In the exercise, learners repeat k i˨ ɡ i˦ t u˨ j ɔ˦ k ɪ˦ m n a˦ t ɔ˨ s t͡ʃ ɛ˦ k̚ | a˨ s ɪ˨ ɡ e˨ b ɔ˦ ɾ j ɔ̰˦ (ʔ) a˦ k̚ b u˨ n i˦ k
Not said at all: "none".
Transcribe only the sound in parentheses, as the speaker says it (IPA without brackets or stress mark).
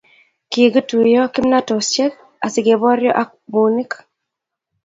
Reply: ʔ